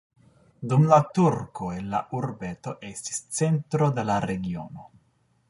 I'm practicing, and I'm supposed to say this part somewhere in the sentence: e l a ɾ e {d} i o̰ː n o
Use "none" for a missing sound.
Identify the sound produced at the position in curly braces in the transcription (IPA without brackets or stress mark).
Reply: ɡ